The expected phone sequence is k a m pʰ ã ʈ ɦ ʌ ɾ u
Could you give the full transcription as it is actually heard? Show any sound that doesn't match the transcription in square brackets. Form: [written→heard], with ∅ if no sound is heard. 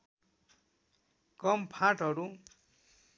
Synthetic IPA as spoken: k [a→ʌ] m pʰ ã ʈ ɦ ʌ ɾ u